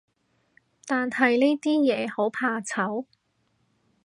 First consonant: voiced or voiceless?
voiceless